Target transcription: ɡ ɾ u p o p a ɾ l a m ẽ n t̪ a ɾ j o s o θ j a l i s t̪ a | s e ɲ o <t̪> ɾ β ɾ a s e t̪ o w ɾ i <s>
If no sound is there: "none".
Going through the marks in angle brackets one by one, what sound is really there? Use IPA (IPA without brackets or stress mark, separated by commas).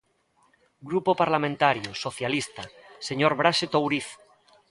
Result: none, θ